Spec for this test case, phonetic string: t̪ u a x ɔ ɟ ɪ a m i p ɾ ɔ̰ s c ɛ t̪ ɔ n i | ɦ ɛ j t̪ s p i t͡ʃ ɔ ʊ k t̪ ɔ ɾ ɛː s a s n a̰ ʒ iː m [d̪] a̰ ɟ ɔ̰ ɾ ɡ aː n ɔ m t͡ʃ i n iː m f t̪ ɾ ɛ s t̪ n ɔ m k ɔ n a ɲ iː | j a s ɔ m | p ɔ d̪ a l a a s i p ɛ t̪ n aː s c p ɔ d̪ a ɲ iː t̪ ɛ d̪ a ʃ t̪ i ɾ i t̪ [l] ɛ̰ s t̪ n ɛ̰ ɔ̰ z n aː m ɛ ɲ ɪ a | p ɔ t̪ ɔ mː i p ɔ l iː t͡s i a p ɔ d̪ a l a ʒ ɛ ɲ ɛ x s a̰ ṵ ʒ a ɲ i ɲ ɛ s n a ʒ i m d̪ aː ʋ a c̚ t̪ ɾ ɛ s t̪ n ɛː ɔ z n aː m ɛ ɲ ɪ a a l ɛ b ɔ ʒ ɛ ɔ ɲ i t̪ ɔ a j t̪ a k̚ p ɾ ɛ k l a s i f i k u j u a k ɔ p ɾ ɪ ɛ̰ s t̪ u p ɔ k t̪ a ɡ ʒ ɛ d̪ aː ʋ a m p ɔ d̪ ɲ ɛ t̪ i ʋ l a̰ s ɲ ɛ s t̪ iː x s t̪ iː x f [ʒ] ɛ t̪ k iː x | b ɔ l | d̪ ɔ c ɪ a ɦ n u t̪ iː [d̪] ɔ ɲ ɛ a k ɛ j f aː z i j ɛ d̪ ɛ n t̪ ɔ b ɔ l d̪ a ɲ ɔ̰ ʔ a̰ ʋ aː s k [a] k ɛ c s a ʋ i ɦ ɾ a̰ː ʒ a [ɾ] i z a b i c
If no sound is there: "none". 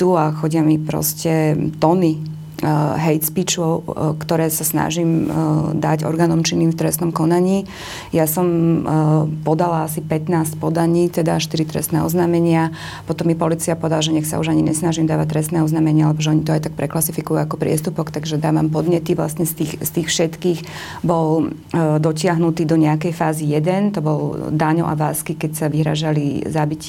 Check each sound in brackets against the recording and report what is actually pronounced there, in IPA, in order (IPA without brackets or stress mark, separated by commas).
d̪, ɾ, ʃ, d̪, i, l